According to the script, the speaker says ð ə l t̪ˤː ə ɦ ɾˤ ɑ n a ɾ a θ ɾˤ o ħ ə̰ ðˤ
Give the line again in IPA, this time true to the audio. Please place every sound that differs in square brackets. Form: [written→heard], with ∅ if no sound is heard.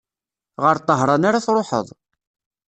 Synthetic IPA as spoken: [ð→ʁ] ə [l→ɾ] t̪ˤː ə ɦ ɾˤ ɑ n a ɾ a θ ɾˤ o ħ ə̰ ðˤ